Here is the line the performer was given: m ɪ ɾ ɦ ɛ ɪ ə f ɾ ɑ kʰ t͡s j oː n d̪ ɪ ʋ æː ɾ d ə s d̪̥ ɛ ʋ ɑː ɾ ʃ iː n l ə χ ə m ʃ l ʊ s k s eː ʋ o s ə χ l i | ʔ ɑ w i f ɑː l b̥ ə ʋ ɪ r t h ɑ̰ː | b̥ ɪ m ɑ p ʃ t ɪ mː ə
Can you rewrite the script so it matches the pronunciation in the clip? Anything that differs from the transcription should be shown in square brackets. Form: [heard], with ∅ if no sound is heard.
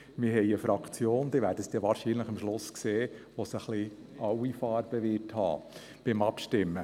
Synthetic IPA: m ɪ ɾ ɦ ɛ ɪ ə f ɾ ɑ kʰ t͡s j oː n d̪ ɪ ʋ æː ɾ d ə s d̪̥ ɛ ʋ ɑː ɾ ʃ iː n l ə χ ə m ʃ l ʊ s k s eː ʋ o s ə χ l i | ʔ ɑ w i f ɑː [ɾ] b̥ ə ʋ ɪ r t h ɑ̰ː | b̥ ɪ m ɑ p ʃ t ɪ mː ə